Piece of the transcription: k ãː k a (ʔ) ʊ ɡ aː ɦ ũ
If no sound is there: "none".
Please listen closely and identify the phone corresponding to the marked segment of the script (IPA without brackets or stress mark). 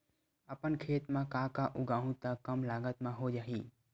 ʔ